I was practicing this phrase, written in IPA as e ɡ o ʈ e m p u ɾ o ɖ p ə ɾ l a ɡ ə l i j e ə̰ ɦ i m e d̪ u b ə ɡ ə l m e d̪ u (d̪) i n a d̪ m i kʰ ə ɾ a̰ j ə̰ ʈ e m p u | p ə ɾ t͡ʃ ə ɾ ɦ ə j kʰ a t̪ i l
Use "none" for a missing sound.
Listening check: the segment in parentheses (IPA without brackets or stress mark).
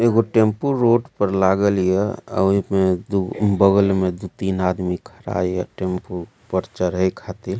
t̪